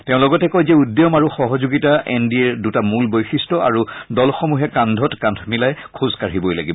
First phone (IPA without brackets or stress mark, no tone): t